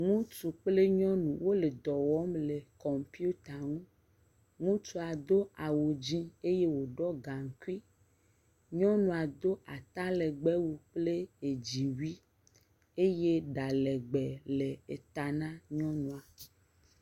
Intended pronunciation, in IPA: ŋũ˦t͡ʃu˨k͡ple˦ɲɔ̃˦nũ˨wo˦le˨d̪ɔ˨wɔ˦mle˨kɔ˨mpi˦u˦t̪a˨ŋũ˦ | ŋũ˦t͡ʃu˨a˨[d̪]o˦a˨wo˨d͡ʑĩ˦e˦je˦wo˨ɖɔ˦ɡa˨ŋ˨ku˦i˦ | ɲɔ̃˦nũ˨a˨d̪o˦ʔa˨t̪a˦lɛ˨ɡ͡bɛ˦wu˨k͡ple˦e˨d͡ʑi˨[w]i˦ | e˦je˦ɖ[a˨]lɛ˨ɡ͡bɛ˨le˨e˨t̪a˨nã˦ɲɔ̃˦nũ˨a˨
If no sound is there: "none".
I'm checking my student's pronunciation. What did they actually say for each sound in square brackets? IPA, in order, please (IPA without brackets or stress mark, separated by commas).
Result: d̪, w, a˨